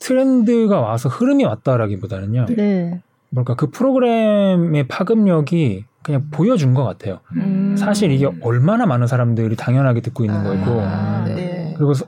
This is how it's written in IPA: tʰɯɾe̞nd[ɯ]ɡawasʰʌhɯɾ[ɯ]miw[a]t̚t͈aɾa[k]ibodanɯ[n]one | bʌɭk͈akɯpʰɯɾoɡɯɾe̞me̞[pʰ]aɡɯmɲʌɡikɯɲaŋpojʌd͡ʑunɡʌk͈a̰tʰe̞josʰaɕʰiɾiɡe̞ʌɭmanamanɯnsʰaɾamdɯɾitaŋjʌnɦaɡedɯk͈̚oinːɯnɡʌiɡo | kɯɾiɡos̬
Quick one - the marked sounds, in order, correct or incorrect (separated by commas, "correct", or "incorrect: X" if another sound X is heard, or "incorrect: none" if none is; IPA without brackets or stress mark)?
correct, correct, correct, incorrect: ɡ, incorrect: ɲ, correct